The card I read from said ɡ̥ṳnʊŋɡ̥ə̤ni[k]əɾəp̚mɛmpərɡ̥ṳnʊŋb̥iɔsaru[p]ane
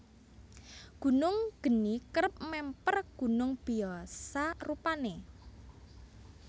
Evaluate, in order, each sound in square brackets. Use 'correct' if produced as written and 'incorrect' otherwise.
correct, correct

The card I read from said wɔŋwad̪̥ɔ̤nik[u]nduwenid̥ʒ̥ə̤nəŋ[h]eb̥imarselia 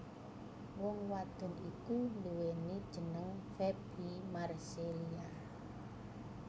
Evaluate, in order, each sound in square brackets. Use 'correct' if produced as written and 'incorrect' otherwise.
correct, incorrect

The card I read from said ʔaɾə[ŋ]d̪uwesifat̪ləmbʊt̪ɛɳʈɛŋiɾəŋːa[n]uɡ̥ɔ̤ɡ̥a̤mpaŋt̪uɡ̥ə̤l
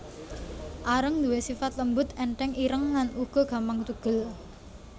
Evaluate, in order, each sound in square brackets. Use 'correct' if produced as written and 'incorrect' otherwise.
correct, correct

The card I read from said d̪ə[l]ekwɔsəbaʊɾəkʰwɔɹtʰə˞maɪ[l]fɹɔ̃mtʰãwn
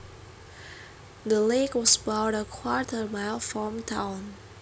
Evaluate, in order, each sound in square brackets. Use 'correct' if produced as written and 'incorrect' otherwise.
correct, correct

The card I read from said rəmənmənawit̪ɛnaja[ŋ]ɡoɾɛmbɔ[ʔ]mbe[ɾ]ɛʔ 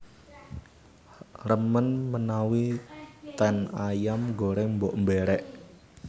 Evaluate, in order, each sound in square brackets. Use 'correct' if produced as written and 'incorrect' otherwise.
incorrect, correct, correct

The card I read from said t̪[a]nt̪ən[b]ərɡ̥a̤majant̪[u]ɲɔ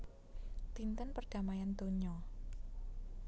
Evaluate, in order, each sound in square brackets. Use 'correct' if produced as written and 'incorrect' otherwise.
incorrect, incorrect, incorrect

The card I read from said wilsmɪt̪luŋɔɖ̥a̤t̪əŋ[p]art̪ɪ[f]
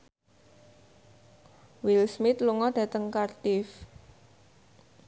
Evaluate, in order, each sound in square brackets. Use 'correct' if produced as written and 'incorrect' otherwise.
incorrect, correct

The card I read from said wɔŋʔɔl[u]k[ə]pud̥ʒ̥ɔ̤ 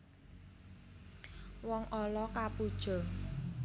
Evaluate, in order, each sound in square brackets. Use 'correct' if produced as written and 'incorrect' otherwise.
incorrect, incorrect

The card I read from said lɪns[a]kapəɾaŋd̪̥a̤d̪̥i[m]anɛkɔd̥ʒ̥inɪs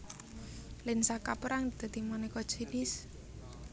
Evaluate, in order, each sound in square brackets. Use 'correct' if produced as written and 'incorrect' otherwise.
correct, correct

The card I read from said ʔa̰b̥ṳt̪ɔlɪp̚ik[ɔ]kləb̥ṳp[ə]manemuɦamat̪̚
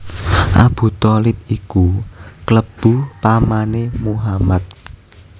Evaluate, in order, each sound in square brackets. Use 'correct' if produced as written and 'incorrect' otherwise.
incorrect, incorrect

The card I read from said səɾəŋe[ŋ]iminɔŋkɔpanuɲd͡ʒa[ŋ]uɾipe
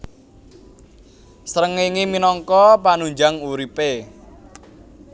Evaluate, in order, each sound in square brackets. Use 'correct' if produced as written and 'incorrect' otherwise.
correct, correct

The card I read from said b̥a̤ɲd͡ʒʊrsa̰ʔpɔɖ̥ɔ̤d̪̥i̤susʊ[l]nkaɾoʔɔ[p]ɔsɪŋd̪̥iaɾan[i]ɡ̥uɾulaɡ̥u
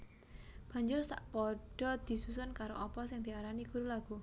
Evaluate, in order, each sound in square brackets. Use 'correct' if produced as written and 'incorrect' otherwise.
incorrect, correct, correct

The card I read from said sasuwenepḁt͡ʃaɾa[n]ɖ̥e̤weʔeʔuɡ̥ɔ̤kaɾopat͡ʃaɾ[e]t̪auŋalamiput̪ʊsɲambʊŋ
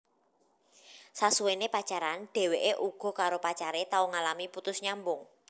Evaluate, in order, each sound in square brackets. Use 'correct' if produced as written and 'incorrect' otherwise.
correct, correct

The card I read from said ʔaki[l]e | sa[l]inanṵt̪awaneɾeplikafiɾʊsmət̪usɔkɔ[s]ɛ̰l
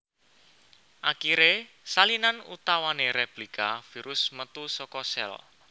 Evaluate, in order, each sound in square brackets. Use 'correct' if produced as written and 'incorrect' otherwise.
incorrect, correct, correct

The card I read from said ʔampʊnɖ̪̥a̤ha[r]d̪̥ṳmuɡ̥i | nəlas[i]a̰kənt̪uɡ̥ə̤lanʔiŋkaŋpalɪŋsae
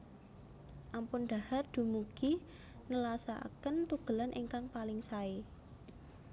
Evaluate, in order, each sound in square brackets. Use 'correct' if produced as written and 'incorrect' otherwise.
correct, incorrect

